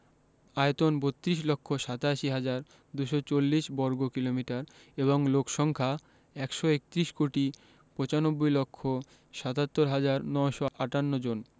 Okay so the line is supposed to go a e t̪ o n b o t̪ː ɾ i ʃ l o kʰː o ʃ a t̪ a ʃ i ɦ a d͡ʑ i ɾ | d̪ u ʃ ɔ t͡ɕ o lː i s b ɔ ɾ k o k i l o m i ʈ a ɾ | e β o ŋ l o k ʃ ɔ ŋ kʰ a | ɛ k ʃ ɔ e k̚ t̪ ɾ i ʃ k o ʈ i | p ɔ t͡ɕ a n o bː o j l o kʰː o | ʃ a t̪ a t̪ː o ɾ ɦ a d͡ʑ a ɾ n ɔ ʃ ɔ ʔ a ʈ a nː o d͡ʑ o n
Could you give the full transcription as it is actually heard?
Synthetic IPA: a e t̪ o n b o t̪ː ɾ i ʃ l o kʰː o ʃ a t̪ a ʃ i ɦ a d͡ʑ a ɾ | d̪ u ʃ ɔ t͡ɕ o lː i ʃ b ɔ ɾ ɡ o k i l o m i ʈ a ɾ | e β o ŋ l o k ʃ ɔ ŋ kʰ a | ɛ k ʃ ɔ e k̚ t̪ ɾ i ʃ k o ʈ i | p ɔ t͡ɕ a n o bː o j l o kʰː o | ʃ a t̪ a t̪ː o ɾ ɦ a d͡ʑ a ɾ n ɔ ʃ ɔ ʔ a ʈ a nː o d͡ʑ o n